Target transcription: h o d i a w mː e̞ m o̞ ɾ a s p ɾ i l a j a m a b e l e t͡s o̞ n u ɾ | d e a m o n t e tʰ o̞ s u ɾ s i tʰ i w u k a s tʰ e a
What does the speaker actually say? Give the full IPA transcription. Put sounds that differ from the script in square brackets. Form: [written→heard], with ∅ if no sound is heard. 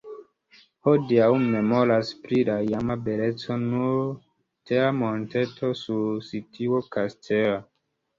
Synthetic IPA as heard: h o d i a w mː e̞ m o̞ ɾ a s p ɾ i l a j a m a b e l e t͡s o̞ n u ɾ | [d→t] e a m o n t e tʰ o̞ s u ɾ s i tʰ i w [u→o] k a s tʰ e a